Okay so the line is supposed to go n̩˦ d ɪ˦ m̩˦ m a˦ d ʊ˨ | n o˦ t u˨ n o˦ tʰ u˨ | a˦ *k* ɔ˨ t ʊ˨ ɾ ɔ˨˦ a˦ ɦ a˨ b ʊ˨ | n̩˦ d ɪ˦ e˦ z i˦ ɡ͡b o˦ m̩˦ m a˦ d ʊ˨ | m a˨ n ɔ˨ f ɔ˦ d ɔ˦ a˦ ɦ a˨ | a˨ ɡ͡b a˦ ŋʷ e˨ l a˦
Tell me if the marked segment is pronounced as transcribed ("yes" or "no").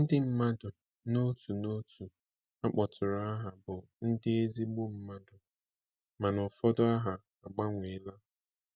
no